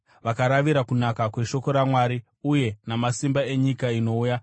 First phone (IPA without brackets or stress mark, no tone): ʋ